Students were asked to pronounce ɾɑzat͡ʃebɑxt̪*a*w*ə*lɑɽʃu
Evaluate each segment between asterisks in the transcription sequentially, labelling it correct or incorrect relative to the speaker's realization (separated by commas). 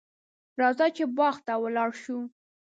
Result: correct, correct